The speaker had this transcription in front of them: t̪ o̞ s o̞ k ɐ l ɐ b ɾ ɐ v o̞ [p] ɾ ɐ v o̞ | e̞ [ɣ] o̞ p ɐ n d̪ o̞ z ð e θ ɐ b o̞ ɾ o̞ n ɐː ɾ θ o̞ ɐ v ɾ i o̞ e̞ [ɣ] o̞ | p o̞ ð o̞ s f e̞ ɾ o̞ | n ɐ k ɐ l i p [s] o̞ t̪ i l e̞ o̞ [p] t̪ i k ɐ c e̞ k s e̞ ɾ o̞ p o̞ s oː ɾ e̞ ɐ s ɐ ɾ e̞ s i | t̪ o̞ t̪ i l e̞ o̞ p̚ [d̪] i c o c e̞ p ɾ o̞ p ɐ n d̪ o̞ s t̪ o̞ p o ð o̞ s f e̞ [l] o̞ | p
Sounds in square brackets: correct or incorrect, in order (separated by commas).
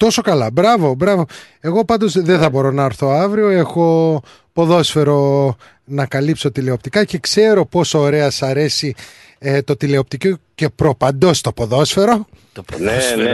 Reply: incorrect, correct, incorrect, correct, correct, incorrect, incorrect